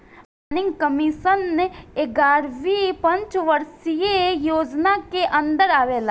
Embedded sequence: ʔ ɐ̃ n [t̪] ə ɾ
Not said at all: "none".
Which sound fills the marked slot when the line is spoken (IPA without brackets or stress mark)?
d̪